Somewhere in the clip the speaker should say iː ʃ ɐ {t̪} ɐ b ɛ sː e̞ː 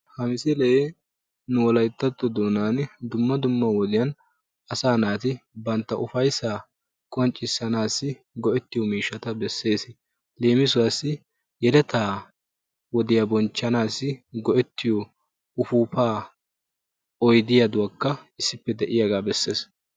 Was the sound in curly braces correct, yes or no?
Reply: yes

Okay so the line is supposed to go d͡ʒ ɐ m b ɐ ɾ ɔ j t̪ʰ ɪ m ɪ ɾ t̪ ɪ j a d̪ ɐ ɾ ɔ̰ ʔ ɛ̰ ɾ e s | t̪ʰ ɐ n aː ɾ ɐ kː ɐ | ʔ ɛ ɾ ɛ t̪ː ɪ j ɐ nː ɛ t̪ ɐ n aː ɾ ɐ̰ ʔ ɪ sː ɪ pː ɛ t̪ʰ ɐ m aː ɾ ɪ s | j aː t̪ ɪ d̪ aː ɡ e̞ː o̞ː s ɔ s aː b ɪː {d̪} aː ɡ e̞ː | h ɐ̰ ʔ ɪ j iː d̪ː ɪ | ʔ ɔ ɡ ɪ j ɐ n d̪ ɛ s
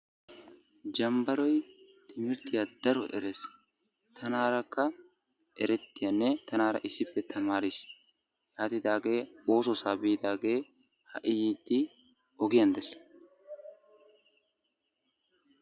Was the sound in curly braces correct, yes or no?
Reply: yes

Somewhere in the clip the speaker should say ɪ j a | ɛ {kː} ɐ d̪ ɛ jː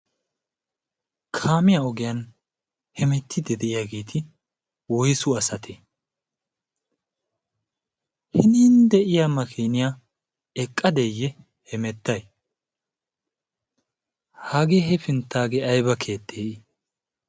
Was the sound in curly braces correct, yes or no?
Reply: no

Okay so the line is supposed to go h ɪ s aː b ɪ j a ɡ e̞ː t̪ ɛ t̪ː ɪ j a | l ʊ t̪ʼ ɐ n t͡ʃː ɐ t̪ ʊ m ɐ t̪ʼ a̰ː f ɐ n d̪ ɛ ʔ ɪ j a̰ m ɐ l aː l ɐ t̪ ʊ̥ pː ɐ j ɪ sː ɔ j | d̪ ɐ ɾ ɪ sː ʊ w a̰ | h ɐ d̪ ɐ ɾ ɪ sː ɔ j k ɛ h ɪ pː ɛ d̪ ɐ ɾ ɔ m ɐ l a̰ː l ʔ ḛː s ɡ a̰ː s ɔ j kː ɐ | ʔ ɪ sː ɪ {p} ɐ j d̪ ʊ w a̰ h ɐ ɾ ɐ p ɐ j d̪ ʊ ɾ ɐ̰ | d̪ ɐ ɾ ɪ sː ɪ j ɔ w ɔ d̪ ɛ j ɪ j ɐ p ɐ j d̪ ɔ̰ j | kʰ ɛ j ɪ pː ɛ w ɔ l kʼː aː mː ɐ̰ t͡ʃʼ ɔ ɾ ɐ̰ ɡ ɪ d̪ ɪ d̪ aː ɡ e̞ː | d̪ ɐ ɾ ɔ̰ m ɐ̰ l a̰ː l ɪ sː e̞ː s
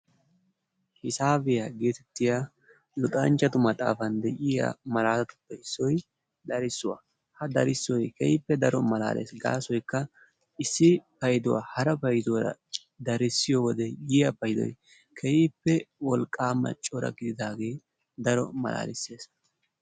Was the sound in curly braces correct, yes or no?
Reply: yes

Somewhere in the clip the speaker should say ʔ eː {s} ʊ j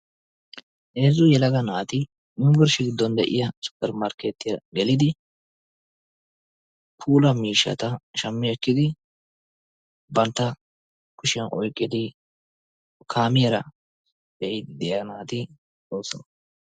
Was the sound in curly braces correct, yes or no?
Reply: no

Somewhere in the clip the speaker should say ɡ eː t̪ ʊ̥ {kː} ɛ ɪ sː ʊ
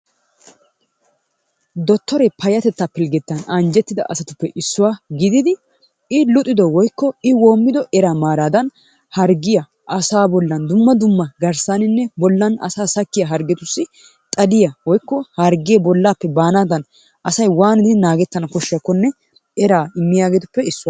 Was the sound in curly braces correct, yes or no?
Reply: no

